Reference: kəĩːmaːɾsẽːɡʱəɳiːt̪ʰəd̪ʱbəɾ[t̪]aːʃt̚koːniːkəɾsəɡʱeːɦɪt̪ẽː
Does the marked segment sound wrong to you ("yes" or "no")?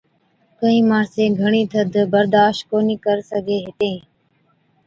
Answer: yes